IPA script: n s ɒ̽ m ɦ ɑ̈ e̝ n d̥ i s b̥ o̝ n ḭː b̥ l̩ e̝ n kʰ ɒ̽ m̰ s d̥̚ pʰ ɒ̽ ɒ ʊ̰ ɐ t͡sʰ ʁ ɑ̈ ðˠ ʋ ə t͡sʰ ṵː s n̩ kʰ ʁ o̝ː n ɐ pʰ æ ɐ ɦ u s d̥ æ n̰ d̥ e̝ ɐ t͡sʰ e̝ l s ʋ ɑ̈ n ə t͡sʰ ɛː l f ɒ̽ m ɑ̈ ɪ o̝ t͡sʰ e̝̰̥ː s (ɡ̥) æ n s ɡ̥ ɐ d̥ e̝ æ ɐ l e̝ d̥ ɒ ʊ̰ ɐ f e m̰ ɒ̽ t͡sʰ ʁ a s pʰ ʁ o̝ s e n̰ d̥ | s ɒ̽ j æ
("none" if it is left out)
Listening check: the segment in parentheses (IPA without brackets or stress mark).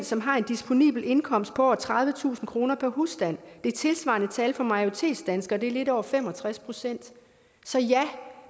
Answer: d̥